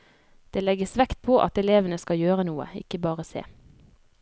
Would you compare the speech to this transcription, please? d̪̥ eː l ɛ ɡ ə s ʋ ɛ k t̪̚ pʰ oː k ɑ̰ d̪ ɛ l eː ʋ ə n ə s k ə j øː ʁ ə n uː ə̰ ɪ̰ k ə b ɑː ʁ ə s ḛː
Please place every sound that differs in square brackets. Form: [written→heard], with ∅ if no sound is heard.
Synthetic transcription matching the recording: d̪̥ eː l ɛ ɡ ə s ʋ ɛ k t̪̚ pʰ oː [k→ʔ] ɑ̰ [d̪→t̪] ɛ l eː ʋ ə n ə s k [ə→ɑ] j øː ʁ ə n uː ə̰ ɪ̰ k ə b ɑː ʁ ə s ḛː